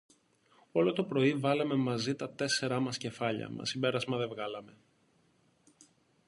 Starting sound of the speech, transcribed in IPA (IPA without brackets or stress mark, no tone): o̞